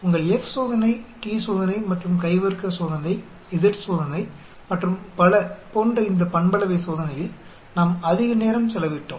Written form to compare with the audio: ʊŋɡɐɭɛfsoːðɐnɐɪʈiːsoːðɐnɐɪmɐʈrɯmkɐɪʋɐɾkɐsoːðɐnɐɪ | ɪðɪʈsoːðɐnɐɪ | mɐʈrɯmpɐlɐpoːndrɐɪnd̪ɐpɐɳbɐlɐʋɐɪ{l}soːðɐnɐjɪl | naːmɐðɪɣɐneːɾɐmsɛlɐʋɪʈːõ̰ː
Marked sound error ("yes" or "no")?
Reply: yes